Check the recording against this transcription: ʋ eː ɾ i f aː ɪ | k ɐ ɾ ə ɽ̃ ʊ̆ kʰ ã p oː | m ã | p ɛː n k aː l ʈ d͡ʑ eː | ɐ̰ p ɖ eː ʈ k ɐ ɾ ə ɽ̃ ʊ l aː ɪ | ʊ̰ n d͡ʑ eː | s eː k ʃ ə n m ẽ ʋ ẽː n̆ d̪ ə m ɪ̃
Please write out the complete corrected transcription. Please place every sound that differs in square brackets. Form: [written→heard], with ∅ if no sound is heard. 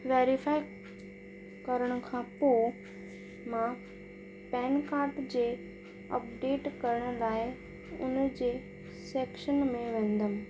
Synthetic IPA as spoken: ʋ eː ɾ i f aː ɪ | k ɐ ɾ ə ɽ̃ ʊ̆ kʰ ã p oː | m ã | p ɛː n k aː [l→ɾ] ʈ d͡ʑ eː | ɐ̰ p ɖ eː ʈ k ɐ ɾ ə ɽ̃ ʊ l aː ɪ | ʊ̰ n d͡ʑ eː | s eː k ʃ ə n m ẽ ʋ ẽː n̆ d̪ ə m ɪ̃